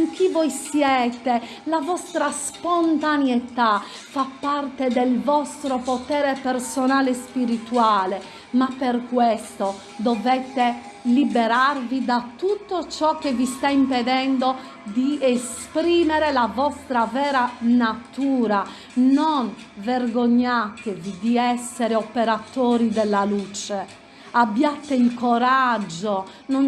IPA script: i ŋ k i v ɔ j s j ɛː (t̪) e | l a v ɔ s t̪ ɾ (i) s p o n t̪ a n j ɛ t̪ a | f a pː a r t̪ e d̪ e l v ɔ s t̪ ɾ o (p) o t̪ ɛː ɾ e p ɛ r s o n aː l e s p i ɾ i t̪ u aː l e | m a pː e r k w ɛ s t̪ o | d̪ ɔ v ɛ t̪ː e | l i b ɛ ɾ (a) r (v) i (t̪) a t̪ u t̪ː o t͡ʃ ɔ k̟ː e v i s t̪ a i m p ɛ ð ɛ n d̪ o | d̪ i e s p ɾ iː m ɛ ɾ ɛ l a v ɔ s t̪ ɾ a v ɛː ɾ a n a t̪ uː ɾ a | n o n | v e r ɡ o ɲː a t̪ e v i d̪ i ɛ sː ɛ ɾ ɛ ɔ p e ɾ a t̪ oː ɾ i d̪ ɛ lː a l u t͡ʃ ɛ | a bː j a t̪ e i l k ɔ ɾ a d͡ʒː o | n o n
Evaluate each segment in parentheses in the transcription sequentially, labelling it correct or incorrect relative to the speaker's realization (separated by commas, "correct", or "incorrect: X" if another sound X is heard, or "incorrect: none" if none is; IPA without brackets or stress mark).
correct, incorrect: a, correct, correct, correct, incorrect: d̪